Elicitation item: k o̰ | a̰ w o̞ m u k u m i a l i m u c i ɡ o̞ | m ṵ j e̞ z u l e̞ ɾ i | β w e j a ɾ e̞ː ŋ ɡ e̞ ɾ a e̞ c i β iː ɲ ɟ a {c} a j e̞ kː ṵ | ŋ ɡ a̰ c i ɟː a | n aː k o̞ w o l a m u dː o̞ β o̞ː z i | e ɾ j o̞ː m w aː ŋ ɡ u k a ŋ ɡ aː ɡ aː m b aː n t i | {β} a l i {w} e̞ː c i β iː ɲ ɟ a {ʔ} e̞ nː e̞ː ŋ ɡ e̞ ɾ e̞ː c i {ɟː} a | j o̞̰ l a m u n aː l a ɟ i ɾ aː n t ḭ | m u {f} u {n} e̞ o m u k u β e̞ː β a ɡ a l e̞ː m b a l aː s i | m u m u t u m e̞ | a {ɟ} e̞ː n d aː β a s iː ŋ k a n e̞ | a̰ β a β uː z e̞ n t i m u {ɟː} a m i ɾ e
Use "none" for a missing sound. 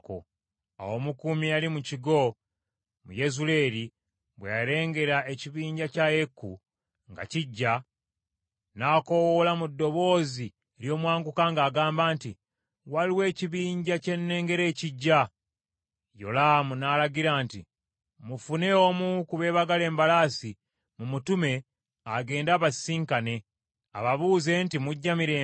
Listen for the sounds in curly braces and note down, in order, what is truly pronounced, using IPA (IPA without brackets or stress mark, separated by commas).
c, w, w, c, ɟː, f, n, ɡ, ɟː